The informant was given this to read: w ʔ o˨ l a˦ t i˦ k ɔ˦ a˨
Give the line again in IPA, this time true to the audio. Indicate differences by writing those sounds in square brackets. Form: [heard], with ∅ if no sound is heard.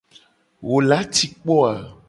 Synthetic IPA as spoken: w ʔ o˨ l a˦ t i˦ [k͡p] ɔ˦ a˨